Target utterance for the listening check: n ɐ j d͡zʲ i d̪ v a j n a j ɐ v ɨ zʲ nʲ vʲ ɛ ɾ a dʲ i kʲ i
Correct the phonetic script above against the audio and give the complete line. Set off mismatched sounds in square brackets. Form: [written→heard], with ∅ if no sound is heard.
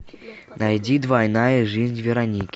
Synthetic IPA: n [ɐ→a] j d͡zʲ i d̪ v a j n a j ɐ [v→ʐ] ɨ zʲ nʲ vʲ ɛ ɾ a [dʲ→nʲ] i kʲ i